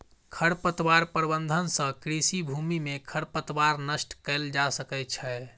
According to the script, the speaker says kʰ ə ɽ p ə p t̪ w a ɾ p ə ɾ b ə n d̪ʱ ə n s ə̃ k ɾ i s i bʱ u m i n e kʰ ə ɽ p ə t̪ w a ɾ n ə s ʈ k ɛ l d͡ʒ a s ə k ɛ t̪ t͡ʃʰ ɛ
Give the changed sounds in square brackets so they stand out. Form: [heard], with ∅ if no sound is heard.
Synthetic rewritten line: kʰ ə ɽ p ə [∅] t̪ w a ɾ p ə ɾ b ə n d̪ʱ ə n s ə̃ k ɾ i s i bʱ u m i [m] e kʰ ə ɽ p ə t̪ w a ɾ n ə s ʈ k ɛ l d͡ʒ a s ə k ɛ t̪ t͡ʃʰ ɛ